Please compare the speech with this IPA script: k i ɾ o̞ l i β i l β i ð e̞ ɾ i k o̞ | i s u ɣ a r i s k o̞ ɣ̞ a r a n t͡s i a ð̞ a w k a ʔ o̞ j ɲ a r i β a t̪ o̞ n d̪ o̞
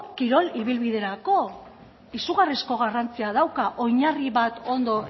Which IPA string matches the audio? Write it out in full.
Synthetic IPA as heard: k i ɾ o̞ l i β i l β i ð e̞ ɾ a k o̞ | i s u ɣ a r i s k o̞ ɣ̞ a r a n t͡s i a ð̞ a w k a ʔ o̞ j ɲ a r i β a t̪ o̞ n d̪ o̞